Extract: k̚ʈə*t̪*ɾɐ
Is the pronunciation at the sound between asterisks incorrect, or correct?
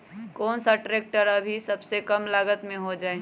incorrect